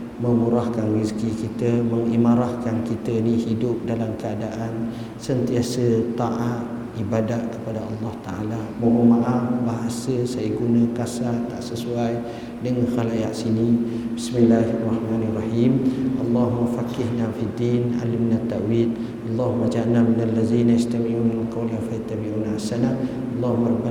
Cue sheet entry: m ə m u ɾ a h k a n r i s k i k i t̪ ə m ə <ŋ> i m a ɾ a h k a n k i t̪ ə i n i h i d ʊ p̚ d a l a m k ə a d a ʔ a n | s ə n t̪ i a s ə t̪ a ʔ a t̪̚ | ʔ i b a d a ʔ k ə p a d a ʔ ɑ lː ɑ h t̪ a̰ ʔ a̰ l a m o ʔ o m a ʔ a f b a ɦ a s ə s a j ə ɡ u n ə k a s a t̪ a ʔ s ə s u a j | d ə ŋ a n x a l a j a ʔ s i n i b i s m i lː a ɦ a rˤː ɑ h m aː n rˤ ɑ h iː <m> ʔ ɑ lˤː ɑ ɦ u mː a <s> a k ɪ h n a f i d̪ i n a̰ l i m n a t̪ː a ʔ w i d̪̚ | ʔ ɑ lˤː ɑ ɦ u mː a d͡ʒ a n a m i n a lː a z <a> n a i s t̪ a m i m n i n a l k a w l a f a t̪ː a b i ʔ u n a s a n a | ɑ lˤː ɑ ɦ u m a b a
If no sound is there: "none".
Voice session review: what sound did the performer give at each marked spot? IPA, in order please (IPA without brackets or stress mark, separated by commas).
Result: ŋ, m, f, i